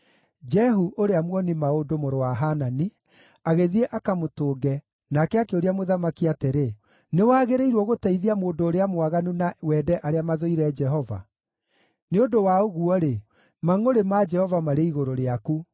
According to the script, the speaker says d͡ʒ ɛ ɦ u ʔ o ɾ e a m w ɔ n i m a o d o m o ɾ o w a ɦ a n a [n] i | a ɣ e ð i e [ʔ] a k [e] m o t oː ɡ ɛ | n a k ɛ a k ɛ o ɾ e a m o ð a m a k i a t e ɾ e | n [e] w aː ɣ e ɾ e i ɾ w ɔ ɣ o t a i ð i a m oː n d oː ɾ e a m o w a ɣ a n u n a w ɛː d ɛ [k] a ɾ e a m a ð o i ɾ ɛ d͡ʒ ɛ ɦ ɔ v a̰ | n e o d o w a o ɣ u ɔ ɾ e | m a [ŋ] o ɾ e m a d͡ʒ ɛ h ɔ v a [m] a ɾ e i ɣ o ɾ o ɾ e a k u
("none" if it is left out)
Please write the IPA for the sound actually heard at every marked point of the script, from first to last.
n, ʔ, a, e, ʔ, ŋ, m

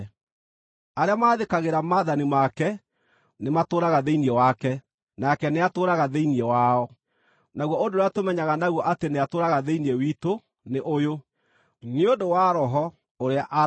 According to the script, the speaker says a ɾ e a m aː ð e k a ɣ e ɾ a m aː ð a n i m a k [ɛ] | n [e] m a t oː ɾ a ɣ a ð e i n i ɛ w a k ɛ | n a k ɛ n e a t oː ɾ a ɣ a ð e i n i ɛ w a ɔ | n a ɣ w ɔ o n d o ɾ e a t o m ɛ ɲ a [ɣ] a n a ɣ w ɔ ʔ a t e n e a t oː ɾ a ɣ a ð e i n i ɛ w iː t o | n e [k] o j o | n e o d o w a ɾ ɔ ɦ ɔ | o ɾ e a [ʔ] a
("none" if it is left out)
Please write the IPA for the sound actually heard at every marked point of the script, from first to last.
ɛ, e, ɣ, ʔ, ʔ

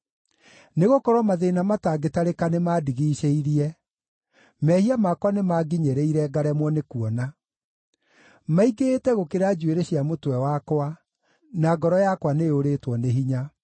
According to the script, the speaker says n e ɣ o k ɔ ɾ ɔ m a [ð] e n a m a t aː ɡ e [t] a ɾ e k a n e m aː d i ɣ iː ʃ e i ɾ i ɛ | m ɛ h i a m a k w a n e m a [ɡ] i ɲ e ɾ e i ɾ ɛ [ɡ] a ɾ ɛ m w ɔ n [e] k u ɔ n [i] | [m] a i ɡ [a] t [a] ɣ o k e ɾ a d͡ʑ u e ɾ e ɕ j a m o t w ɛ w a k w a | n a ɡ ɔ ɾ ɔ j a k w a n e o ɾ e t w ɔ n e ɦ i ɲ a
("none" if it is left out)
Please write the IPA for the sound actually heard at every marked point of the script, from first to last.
ð, t, ɡ, ɡ, e, a, m, e, ɛ

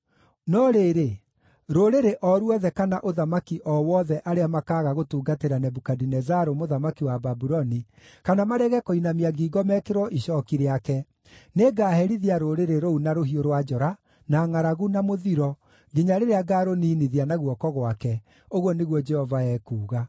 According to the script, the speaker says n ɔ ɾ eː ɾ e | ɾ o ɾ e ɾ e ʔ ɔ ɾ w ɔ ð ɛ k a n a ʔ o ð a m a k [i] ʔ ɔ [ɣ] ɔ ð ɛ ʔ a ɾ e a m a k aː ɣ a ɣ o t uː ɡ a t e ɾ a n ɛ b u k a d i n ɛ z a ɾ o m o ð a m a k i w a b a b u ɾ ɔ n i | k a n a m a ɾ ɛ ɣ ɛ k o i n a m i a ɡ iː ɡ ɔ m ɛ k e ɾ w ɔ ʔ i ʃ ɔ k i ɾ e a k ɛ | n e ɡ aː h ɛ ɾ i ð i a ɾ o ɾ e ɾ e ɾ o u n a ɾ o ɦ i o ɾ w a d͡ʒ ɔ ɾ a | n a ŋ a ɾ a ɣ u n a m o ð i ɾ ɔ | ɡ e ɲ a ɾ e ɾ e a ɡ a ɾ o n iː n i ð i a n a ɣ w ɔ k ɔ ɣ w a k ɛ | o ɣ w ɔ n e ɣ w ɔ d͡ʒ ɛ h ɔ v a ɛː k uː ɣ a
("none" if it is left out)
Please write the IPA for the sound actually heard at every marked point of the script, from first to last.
i, w

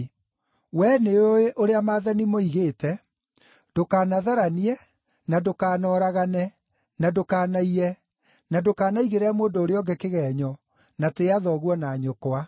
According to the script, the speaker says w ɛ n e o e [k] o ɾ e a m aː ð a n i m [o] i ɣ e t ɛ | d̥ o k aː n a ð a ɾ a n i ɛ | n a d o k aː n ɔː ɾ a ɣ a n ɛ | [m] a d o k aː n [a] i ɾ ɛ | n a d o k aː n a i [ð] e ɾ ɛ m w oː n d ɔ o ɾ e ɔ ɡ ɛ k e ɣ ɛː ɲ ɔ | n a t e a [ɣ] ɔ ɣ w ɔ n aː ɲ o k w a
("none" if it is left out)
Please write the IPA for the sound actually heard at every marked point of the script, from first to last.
ʔ, o, n, a, ɣ, ð

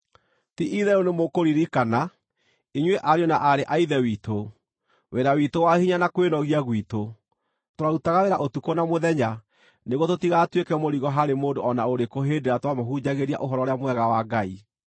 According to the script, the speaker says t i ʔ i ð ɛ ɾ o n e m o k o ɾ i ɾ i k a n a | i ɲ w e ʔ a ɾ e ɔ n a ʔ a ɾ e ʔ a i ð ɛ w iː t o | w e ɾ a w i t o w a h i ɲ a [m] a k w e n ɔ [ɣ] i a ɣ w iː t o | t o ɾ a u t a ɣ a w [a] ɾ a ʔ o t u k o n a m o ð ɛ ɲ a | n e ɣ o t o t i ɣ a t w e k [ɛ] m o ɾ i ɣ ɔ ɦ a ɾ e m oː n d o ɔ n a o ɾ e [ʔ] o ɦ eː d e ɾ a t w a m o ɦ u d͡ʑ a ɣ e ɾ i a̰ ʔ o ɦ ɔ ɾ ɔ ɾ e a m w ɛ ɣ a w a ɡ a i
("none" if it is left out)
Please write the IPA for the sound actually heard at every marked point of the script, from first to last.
n, ɣ, e, ɛ, k

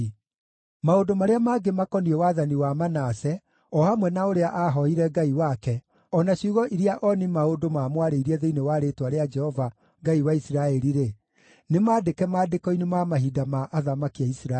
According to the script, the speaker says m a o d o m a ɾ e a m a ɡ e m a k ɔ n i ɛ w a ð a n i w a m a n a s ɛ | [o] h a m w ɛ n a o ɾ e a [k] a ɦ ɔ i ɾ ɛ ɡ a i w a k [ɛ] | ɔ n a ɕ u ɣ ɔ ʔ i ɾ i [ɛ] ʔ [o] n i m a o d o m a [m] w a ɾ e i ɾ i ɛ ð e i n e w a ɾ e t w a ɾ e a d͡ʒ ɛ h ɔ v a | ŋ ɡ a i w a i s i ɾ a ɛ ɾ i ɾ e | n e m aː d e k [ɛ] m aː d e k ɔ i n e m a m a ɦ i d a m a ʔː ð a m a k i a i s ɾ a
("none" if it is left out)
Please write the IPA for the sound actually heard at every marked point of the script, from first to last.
ɔ, ʔ, ɛ, a, ɔ, m, ɛ

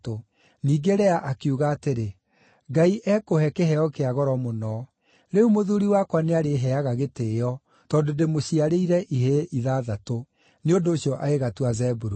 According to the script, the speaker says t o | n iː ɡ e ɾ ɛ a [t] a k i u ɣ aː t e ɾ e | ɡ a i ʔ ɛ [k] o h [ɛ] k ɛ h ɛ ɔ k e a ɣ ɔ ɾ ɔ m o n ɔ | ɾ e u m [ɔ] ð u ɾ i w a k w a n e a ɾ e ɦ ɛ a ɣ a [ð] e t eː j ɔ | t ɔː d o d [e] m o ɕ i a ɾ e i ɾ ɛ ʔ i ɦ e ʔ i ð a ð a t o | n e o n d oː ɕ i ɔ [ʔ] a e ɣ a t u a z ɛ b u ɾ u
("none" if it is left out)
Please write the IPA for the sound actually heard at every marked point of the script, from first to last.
ʔ, k, ɛ, o, ɣ, e, ʔ

